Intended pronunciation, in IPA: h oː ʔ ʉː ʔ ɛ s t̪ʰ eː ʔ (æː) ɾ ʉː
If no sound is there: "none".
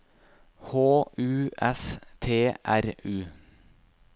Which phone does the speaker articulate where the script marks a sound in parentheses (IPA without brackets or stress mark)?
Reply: æ